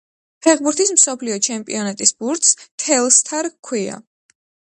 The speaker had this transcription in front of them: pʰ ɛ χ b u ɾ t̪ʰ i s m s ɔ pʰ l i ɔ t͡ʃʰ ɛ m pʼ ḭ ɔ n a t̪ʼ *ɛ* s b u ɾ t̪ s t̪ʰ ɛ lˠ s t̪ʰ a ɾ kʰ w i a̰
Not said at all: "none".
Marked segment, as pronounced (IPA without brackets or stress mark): i